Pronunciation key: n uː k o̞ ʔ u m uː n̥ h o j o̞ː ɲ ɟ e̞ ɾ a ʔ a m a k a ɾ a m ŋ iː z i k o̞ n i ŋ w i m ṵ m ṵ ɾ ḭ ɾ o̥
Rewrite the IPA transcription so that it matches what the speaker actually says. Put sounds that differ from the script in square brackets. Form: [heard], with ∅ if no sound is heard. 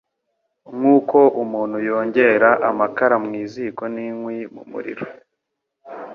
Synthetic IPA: [ŋ] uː k o̞ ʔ u m uː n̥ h [u] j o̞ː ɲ ɟ e̞ ɾ a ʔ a m a k a ɾ a m ŋ iː z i k o̞ n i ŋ w i m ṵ m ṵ ɾ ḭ ɾ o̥